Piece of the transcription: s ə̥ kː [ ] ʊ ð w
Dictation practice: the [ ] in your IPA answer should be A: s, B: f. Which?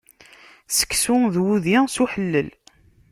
A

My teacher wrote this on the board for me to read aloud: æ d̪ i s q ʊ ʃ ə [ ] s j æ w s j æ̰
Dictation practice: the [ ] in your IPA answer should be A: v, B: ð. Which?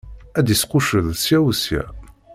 B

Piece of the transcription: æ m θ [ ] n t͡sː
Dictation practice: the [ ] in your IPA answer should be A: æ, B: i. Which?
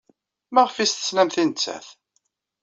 B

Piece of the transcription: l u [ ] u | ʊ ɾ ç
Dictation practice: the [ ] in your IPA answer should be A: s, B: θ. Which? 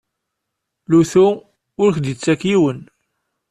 B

